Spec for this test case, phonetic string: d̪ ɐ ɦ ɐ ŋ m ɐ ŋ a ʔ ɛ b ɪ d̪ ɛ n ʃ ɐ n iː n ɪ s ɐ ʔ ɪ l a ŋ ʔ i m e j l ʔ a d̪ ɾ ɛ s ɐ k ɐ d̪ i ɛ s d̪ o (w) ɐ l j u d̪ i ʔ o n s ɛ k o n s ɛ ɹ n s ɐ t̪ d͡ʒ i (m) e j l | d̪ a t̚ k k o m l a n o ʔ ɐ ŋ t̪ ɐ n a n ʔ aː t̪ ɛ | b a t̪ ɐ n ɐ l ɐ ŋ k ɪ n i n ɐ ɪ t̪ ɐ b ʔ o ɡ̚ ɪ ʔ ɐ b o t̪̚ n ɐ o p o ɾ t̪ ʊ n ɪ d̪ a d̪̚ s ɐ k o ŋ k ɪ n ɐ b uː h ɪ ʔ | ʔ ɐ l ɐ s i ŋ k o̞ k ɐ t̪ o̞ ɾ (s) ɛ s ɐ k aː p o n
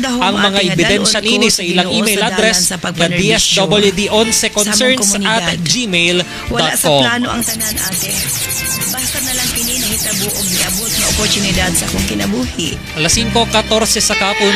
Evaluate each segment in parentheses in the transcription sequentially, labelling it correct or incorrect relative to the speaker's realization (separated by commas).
incorrect, correct, correct